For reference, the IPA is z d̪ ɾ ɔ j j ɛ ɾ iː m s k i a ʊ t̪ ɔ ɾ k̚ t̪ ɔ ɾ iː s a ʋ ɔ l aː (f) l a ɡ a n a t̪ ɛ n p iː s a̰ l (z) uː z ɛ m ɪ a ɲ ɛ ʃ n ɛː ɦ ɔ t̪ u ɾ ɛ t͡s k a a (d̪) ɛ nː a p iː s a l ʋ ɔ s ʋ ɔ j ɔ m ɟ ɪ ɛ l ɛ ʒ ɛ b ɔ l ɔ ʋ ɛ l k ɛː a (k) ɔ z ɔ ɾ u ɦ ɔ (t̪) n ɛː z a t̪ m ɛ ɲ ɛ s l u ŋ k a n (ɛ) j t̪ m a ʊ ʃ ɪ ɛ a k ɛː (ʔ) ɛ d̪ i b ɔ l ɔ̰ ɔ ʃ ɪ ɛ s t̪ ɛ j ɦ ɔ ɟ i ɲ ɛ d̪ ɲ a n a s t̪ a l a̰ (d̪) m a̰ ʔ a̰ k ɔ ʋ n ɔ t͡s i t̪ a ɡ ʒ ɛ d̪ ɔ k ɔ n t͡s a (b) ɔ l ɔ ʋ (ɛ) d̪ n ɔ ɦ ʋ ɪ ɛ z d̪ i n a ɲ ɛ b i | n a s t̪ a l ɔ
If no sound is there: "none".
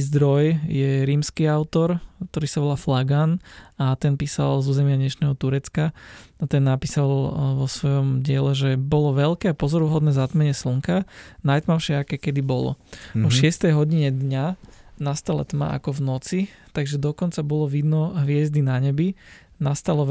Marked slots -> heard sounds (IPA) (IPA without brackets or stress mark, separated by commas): f, z, t̪, p, d̪, a, k, t̪, b, i